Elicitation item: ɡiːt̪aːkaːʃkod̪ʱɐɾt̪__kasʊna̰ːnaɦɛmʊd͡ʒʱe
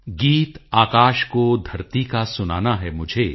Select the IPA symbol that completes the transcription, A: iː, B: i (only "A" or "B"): B